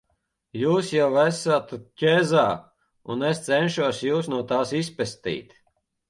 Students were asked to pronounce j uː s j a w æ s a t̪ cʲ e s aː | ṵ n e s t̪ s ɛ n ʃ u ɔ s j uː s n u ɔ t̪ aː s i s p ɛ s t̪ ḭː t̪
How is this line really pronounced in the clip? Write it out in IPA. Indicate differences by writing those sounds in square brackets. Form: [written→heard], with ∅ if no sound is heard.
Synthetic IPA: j uː s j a w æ s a t̪ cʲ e [s→z] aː | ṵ n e s t̪ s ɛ n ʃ u ɔ s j uː s n u ɔ t̪ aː s i s p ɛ s t̪ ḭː t̪